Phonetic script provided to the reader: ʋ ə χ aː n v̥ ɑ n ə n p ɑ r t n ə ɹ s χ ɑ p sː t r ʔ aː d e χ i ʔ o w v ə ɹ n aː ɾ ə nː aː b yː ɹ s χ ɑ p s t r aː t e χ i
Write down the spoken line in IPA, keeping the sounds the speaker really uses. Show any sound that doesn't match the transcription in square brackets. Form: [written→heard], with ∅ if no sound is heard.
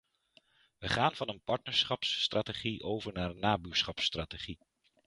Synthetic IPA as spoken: ʋ ə χ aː n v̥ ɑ n ə n p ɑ [r→ɹ] t n ə ɹ s χ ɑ p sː t r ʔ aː [d→t] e χ i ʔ o w v ə ɹ n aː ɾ ə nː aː b yː ɹ s χ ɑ p s t r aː t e χ i

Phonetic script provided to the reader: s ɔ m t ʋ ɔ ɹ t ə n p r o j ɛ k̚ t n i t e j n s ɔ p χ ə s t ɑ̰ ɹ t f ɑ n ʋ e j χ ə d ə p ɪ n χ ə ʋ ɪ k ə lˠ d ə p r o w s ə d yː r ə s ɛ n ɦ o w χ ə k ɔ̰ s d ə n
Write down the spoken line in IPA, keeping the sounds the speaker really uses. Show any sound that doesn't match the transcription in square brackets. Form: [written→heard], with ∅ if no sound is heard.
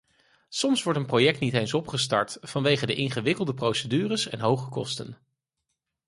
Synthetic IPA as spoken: s ɔ m [t→s] ʋ ɔ ɹ t ə n p r o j ɛ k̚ t n i t e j n s ɔ p χ ə s t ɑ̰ ɹ t f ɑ n ʋ e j χ ə d ə [p→ʔ] ɪ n χ ə ʋ ɪ k ə lˠ d ə p r o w s ə d yː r ə s ɛ n ɦ o w χ ə k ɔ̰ s [d→t] ə n

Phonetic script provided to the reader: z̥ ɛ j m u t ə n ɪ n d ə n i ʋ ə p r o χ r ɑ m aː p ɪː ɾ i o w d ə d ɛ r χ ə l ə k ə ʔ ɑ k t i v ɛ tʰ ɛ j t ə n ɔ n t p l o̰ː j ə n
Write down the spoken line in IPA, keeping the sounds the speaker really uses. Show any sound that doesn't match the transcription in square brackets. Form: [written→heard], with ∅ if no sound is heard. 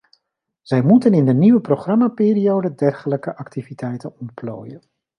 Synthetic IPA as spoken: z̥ ɛ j m u t ə n ɪ n d ə n i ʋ ə p r o χ r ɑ m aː p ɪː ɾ i o w d ə d ɛ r χ ə l ə k ə ʔ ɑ k t i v [ɛ→i] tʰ ɛ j t ə n ɔ n t p l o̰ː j ə n

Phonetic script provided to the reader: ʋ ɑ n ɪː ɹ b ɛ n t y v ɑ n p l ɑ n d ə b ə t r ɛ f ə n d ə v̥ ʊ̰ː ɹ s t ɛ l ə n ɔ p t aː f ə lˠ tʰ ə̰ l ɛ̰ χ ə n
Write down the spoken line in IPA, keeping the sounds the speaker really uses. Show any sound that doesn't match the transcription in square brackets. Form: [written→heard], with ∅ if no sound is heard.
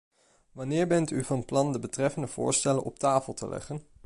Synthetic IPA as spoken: ʋ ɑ n ɪː ɹ b ɛ n t y v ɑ n p l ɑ n d ə b ə t r ɛ f ə n d ə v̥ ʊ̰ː ɹ s t ɛ l ə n ɔ p t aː f ə lˠ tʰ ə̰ l ɛ̰ χ ə n

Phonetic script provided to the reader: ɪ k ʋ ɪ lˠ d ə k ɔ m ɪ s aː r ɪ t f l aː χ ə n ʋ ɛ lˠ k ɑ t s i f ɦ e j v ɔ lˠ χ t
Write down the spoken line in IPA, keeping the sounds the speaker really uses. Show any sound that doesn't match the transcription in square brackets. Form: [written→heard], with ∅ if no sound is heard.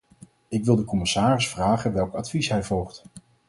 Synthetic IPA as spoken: ɪ k ʋ ɪ lˠ d ə k ɔ m ɪ s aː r ɪ [t→s] f [l→r] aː χ ə n ʋ ɛ lˠ k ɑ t [s→f] i [f→s] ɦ [e→ɛ] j v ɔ lˠ χ t

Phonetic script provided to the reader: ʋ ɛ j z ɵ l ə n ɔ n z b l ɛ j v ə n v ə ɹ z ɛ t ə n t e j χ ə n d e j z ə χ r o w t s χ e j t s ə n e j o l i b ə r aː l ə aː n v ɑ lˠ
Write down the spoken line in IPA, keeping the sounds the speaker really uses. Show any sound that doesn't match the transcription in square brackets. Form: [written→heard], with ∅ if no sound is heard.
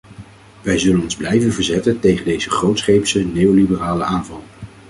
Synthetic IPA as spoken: ʋ ɛ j z ɵ l ə n ɔ n z b l ɛ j v ə n v ə ɹ z ɛ t ə n t e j χ ə n d e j z ə χ r o w t s χ e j [t→p] s ə n e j o l i b ə r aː l ə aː n v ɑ lˠ

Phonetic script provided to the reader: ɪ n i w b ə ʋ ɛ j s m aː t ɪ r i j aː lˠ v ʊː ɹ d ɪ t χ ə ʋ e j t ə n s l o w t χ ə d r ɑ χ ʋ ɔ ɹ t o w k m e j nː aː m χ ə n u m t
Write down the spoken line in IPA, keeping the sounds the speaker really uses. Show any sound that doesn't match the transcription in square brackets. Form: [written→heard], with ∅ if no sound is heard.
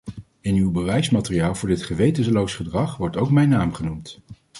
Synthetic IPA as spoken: ɪ n [i→y] w b ə ʋ ɛ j s m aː t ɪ r i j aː lˠ v ʊː ɹ d ɪ t χ ə ʋ e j t ə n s l o w [t→s] χ ə d r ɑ χ ʋ ɔ ɹ t o w k m [e→ɛ] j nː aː m χ ə n u m t

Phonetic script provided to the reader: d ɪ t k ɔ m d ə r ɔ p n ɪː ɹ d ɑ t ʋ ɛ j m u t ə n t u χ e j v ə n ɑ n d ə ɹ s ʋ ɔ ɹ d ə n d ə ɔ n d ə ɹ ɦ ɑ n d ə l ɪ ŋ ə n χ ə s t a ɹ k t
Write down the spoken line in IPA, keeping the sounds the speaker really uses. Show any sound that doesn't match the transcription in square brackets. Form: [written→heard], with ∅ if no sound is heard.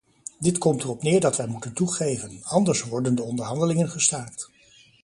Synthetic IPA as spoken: d ɪ t k ɔ m [d→t] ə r ɔ p n ɪː ɹ d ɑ t ʋ ɛ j m u t ə n t u χ e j v ə n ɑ n d ə ɹ s ʋ ɔ ɹ d ə n d ə ɔ n d ə ɹ ɦ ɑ n d ə l ɪ ŋ ə n χ ə s t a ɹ k t

